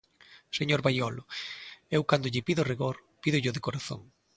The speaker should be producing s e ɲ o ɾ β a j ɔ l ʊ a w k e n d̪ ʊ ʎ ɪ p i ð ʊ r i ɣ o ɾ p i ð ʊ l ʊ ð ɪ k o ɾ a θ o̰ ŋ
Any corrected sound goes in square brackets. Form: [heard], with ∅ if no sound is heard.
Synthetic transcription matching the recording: s e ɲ o ɾ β a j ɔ l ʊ [e] w k [a] n d̪ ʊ ʎ ɪ p i ð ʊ r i ɣ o ɾ p i ð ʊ [ʎ] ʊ ð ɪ k o ɾ a θ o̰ ŋ